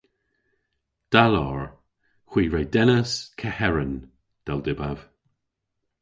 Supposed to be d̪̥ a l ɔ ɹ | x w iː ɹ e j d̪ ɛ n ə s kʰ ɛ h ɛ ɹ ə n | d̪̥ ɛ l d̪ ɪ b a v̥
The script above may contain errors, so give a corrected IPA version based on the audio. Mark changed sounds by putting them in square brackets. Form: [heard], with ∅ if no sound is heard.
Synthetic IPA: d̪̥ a l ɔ ɹ | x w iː ɹ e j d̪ ɛ n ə s kʰ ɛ h ɛ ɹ ə n | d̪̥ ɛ l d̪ ɪ b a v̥